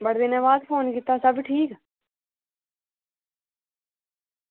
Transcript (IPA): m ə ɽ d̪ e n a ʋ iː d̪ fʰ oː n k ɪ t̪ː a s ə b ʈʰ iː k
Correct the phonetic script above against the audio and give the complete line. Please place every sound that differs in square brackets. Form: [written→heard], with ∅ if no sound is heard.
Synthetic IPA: [m→b] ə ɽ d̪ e n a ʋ [iː→aː] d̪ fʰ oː n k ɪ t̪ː a s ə b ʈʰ iː k